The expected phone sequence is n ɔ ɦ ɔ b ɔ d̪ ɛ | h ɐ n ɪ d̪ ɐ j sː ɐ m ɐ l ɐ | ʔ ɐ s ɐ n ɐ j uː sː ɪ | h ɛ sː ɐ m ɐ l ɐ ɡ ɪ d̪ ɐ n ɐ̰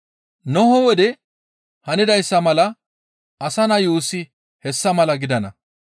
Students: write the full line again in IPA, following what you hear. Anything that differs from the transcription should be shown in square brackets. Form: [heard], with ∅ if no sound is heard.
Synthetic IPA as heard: n ɔ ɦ ɔ [w] ɔ d̪ ɛ | h ɐ n ɪ d̪ ɐ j sː ɐ m ɐ l ɐ | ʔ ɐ s ɐ n ɐ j uː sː ɪ | h ɛ sː ɐ m ɐ l ɐ ɡ ɪ d̪ ɐ n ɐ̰